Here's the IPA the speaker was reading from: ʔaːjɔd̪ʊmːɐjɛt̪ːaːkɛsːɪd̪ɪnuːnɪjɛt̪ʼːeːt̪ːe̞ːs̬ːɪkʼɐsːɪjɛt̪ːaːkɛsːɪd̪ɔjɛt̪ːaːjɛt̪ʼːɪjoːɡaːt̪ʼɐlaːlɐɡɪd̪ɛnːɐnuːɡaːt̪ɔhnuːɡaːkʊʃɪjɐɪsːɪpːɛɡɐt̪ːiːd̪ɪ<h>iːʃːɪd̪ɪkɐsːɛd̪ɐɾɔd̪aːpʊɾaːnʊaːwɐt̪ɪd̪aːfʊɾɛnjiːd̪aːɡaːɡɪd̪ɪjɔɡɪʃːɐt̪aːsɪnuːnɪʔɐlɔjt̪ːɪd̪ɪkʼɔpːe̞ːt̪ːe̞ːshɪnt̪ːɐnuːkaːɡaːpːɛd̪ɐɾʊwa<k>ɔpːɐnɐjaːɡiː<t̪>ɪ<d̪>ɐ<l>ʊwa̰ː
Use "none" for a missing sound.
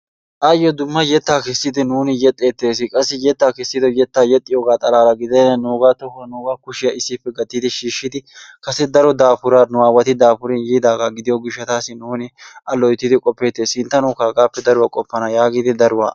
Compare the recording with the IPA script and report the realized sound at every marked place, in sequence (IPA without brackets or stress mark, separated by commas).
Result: ʃ, kʼ, d̪, d̪, ɾ